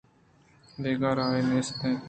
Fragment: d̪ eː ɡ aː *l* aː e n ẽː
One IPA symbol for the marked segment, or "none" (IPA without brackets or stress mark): ɾ